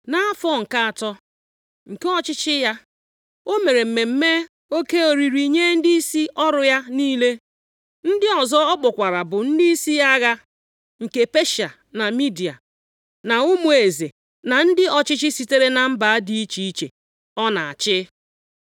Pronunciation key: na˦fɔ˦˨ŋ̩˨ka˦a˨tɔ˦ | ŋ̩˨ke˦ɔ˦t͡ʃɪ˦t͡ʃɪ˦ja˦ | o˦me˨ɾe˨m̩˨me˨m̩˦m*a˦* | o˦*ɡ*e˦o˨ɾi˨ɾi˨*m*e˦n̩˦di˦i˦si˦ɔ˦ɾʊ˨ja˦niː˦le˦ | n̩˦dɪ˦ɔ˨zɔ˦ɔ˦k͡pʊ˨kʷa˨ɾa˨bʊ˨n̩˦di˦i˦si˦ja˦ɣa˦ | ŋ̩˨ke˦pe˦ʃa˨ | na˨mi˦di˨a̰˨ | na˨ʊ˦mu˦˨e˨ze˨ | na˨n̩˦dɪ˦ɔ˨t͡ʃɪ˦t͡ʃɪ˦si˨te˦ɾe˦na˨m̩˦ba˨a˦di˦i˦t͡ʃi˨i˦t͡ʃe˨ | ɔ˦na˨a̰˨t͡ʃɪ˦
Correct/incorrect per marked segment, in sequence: incorrect: e˦, incorrect: k, incorrect: ɲ

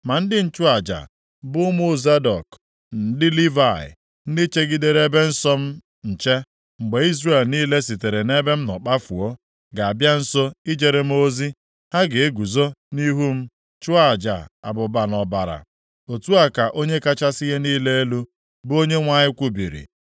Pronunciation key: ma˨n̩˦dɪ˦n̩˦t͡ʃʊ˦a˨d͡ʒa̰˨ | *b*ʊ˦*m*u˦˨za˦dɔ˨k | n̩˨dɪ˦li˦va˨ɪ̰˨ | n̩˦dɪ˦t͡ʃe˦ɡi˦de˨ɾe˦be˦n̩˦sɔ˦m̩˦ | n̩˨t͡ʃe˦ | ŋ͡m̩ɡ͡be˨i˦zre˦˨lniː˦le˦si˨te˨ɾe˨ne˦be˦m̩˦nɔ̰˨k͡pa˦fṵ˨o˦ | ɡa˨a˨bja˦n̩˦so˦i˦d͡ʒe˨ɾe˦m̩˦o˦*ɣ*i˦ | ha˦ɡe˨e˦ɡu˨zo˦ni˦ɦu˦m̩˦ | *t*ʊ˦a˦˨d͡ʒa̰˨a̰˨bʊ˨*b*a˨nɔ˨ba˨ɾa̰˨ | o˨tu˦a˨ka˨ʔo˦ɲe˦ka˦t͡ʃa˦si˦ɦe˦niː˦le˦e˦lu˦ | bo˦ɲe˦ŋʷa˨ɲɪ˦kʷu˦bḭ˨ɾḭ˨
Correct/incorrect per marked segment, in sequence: correct, correct, incorrect: z, incorrect: t͡ʃ, correct

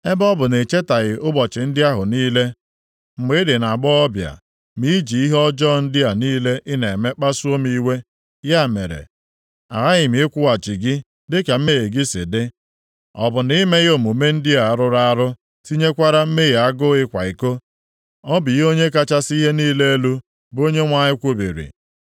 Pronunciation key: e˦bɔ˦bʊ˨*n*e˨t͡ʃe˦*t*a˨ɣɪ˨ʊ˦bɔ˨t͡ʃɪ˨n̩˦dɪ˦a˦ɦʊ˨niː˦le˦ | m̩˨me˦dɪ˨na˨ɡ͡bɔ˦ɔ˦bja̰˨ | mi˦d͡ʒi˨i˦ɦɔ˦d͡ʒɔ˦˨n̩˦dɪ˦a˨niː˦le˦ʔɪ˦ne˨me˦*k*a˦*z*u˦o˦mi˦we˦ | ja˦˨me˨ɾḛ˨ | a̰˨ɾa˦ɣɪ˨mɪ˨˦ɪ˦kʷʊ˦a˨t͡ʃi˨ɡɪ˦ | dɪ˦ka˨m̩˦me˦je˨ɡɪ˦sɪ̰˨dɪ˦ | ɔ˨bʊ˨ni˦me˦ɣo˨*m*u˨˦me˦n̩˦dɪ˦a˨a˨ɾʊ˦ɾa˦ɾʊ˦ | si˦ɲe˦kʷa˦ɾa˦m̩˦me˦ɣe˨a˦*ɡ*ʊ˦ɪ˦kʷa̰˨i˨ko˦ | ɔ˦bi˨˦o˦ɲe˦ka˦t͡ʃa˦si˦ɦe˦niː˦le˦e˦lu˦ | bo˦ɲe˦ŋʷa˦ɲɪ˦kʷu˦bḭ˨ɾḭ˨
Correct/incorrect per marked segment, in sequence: correct, correct, incorrect: k͡p, incorrect: s, correct, correct

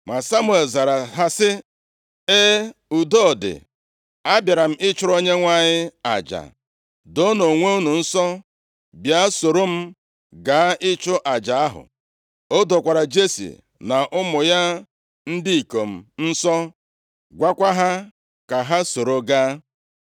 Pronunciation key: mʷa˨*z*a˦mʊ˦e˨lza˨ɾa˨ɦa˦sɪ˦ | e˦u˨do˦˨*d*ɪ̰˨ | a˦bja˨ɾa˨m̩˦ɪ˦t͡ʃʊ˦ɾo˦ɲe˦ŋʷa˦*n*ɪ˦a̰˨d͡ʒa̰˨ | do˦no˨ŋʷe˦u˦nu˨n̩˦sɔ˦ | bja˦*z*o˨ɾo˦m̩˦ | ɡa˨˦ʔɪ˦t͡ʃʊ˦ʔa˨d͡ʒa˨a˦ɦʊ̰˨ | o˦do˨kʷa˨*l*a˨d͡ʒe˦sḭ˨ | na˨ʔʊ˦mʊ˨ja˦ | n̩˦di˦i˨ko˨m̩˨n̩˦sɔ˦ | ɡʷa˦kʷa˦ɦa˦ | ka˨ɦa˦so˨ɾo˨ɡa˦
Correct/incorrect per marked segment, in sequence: incorrect: s, correct, incorrect: ɲ, incorrect: s, incorrect: ɾ

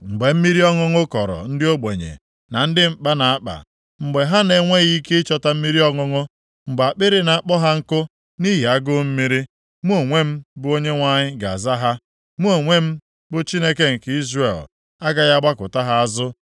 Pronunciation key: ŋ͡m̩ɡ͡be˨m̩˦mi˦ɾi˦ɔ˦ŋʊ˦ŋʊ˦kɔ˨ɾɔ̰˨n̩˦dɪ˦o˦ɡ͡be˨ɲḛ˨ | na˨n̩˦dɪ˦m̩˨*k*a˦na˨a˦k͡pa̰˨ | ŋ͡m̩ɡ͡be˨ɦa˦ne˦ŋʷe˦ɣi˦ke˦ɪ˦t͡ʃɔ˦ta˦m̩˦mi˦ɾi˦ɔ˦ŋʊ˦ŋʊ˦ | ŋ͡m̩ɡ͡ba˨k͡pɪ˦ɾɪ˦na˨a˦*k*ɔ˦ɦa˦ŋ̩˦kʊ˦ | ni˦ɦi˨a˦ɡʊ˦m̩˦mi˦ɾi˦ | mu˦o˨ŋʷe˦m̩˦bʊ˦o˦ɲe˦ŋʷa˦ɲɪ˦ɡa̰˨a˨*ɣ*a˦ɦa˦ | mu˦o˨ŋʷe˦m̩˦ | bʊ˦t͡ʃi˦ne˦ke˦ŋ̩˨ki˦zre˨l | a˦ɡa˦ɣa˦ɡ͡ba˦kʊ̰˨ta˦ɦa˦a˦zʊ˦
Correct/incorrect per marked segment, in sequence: incorrect: k͡p, incorrect: k͡p, incorrect: z

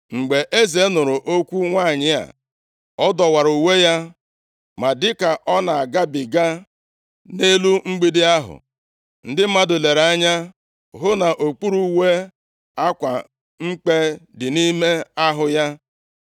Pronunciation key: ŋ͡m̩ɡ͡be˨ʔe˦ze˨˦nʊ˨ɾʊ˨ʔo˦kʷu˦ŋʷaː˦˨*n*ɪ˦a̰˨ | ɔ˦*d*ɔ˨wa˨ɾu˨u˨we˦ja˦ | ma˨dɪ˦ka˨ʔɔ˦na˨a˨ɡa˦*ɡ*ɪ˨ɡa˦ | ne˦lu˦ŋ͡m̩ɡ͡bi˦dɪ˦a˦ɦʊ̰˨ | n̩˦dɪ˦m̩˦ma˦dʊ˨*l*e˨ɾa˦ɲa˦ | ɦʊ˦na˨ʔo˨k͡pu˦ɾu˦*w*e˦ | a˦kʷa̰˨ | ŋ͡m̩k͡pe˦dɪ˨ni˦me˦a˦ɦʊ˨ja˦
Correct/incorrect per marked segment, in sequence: incorrect: ɲ, correct, incorrect: b, correct, correct

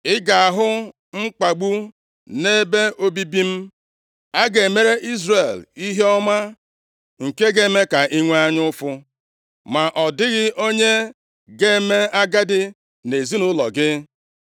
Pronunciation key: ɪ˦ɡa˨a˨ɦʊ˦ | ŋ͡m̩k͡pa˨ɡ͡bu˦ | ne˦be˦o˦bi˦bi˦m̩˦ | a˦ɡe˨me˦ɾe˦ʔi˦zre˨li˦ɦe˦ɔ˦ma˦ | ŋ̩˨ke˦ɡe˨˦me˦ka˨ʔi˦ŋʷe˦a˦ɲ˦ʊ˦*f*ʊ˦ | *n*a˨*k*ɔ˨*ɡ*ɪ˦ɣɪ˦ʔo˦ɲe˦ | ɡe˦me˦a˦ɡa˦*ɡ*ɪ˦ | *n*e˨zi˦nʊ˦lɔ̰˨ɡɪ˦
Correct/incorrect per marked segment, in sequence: correct, incorrect: m, incorrect: ʔ, incorrect: d, incorrect: d, correct

